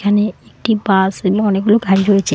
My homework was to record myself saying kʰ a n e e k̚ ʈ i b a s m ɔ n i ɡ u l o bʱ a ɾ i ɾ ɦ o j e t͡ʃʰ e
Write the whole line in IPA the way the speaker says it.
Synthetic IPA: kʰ a n e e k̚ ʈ i b a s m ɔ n e ɡ u l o ɡʱ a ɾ i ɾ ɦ o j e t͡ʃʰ e